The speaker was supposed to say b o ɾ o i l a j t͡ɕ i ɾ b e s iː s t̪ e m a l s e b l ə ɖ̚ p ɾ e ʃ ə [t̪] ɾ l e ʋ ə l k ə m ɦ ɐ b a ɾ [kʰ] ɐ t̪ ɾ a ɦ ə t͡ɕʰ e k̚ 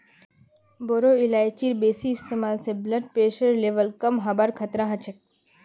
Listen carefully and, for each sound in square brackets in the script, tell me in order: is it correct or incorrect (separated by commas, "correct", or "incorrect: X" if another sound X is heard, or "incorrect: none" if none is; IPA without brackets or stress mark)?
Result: incorrect: none, correct